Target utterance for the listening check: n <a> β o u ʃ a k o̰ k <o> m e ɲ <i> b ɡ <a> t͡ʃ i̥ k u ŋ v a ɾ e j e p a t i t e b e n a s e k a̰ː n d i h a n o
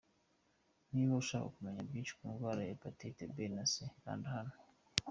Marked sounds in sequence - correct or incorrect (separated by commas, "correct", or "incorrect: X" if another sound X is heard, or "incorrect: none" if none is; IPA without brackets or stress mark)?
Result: incorrect: i, incorrect: u, incorrect: a, incorrect: i